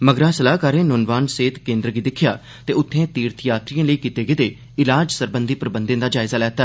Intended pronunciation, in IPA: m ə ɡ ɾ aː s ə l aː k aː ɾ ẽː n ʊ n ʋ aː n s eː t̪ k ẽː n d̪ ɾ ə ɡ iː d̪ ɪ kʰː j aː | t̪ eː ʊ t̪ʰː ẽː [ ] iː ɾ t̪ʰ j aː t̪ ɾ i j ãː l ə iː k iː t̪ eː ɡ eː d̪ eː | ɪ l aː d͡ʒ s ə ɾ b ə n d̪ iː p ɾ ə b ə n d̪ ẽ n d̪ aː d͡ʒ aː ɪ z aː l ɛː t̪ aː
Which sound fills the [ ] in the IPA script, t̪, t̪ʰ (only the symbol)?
t̪